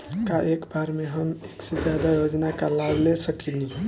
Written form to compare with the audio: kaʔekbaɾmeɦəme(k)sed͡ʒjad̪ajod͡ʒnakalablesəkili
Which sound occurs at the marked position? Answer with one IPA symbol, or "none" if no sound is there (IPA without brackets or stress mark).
k